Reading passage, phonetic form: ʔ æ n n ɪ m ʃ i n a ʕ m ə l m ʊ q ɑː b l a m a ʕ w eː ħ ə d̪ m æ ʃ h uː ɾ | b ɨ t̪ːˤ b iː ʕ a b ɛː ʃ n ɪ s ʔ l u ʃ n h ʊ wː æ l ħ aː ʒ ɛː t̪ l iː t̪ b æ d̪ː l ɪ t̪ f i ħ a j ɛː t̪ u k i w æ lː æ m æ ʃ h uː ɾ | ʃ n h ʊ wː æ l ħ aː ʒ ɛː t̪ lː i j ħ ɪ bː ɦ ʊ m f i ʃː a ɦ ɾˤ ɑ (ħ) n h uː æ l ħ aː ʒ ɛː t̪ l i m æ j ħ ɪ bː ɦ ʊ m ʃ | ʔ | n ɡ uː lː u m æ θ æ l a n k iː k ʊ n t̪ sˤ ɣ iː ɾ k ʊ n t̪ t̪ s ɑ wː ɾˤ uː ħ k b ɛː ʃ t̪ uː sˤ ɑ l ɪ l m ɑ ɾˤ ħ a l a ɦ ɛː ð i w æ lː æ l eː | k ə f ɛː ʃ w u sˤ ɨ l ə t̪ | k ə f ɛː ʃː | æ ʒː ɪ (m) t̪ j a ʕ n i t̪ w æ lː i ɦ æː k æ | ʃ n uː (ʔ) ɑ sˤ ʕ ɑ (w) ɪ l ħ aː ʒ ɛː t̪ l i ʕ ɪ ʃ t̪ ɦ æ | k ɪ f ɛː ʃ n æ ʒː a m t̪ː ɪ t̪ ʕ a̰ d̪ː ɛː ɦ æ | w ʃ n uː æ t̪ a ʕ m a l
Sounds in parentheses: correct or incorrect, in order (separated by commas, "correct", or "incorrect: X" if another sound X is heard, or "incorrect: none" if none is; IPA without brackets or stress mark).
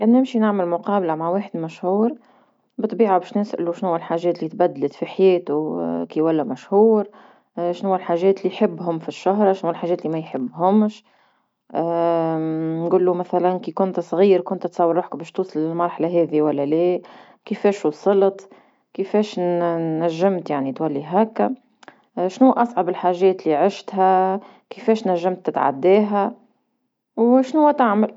incorrect: ʃ, correct, correct, incorrect: b